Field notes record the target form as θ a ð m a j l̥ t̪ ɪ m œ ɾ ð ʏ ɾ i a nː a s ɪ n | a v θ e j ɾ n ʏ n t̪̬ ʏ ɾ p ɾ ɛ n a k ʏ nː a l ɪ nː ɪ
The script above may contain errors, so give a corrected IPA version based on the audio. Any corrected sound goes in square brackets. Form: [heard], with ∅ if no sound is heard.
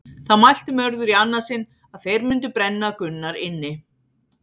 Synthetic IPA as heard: θ a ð m a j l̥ t̪ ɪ m œ ɾ ð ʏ ɾ i a nː a s ɪ n | a [ð] θ e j ɾ [m] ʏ n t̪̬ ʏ [∅] p ɾ ɛ [nː] a k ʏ nː a [ɾ] ɪ nː ɪ